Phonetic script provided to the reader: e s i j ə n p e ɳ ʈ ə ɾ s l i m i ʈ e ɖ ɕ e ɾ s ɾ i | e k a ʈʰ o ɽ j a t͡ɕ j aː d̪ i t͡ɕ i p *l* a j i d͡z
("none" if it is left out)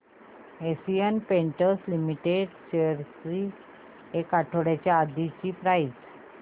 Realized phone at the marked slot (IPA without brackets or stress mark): ɾ